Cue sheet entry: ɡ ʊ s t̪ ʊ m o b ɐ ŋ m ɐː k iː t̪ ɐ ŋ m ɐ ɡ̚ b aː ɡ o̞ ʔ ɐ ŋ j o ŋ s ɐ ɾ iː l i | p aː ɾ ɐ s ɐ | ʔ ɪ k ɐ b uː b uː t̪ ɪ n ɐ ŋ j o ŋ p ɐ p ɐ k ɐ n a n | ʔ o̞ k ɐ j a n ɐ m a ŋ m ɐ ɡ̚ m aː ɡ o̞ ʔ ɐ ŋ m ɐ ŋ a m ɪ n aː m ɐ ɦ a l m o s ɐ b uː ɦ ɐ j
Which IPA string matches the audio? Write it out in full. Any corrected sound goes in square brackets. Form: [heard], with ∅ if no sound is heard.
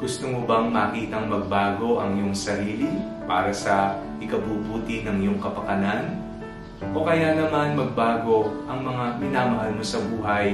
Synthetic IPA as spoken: ɡ ʊ s t̪ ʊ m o b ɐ ŋ m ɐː k iː t̪ ɐ ŋ m ɐ ɡ̚ b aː ɡ o̞ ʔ ɐ ŋ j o ŋ s ɐ ɾ iː l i | p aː ɾ ɐ s ɐ | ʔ ɪ k ɐ b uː b uː t̪ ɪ n ɐ ŋ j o ŋ [k] ɐ p ɐ k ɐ n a n | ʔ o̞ k ɐ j a n ɐ m a [n] m ɐ ɡ̚ [b] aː ɡ o̞ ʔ ɐ ŋ m ɐ ŋ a m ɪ n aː m ɐ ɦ a l m o s ɐ b uː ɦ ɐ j